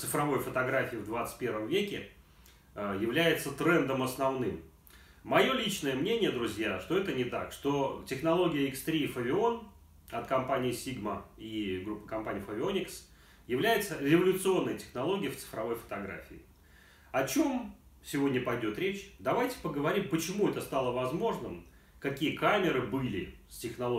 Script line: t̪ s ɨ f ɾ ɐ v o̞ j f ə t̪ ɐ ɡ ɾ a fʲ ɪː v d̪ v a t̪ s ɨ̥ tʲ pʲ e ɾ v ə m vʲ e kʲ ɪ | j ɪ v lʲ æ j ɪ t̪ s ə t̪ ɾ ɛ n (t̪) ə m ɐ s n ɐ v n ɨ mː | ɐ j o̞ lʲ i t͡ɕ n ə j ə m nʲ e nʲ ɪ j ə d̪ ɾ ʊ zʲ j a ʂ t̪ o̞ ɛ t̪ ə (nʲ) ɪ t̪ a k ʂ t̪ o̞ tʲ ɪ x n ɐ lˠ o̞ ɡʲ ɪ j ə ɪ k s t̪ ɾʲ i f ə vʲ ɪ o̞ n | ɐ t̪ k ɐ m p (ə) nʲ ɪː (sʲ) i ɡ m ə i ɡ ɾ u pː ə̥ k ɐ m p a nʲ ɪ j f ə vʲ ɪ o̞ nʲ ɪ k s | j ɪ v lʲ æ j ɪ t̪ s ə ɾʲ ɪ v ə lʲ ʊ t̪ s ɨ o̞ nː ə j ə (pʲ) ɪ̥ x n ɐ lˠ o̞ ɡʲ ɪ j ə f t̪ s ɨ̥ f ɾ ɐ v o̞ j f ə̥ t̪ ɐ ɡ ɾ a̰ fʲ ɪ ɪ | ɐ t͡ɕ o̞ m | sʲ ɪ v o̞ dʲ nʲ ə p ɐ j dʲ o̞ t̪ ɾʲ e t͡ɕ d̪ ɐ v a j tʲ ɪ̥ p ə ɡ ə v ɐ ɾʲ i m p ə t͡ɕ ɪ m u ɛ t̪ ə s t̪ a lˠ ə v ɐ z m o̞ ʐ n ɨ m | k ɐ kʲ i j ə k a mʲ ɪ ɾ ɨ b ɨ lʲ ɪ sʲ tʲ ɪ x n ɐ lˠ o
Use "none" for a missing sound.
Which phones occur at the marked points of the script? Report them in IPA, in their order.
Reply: d̪, nʲ, a, sʲ, tʲ

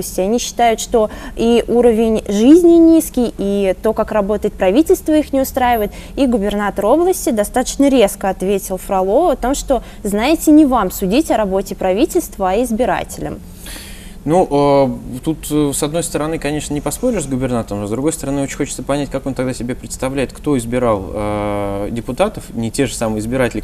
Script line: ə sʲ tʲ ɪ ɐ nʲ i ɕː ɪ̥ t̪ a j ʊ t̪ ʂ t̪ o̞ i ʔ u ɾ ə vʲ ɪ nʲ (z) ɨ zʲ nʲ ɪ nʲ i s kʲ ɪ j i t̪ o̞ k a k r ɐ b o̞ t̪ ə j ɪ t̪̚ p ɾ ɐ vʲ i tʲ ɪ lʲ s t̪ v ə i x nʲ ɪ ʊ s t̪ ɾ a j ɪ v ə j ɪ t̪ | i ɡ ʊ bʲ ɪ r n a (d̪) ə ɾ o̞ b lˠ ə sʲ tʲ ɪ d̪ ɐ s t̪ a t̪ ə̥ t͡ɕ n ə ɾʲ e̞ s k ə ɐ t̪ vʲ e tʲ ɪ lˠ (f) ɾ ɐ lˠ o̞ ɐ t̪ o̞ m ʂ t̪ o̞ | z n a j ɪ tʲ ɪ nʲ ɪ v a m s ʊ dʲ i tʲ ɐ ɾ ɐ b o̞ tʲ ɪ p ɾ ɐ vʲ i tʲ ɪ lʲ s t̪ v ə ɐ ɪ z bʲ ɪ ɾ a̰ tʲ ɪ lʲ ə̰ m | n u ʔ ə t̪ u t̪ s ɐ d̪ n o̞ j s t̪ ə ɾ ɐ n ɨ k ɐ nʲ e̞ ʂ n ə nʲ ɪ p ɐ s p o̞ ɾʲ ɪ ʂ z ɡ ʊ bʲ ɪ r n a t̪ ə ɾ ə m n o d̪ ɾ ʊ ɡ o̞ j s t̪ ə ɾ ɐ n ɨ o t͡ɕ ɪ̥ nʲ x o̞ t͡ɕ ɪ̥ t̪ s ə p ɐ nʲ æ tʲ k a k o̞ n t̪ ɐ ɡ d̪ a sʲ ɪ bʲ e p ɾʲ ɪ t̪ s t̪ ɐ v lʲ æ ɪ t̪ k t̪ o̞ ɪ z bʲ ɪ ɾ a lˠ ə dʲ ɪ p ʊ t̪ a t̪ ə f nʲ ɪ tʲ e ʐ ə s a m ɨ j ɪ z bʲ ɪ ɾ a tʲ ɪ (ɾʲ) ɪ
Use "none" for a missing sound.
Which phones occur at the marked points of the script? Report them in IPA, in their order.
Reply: ʐ, t̪, f, lʲ

